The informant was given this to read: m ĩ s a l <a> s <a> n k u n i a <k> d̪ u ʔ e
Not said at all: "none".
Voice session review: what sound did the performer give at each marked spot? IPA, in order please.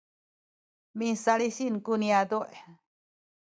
i, i, none

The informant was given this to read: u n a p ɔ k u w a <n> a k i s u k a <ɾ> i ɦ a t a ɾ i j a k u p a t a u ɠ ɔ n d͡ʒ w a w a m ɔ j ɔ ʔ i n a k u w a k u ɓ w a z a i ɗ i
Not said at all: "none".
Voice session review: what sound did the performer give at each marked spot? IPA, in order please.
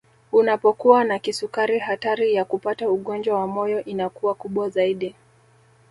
n, ɾ

